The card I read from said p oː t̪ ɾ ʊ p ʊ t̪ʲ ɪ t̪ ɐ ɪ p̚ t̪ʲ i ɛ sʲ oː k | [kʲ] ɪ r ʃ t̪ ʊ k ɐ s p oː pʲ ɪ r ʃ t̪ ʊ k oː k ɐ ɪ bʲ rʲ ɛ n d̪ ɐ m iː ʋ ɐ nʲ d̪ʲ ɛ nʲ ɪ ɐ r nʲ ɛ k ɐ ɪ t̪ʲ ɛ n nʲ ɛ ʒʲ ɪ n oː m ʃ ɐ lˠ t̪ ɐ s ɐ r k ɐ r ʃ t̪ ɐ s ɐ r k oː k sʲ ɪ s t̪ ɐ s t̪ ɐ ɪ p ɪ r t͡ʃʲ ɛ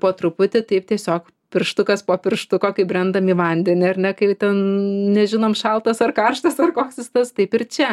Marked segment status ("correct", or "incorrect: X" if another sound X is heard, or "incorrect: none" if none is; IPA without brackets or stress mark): incorrect: pʲ